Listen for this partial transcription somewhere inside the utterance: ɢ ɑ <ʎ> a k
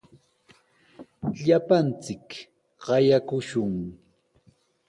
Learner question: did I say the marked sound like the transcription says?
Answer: no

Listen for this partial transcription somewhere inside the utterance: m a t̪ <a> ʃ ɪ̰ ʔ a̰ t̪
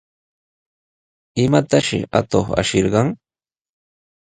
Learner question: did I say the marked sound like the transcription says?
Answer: yes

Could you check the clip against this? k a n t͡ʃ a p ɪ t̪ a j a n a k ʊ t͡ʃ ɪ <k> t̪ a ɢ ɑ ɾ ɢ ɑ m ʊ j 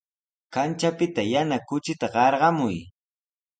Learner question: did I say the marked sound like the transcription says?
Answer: no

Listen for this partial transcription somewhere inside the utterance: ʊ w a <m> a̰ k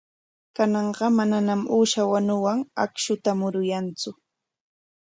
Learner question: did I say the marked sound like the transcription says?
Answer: no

